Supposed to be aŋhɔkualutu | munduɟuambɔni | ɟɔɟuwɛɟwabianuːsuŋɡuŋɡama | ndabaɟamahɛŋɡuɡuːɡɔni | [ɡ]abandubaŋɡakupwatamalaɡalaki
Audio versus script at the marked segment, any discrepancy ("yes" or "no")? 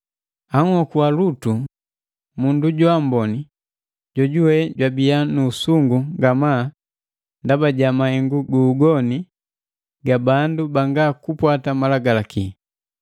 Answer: no